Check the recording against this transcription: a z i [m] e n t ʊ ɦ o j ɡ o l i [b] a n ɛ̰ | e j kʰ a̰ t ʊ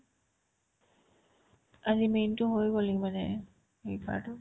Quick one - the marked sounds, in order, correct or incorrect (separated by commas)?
correct, incorrect